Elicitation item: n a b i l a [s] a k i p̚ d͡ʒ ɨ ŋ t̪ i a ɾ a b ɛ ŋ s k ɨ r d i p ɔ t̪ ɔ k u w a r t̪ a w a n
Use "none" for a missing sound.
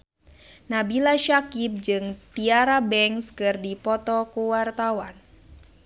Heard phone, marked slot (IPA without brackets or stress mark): ʃ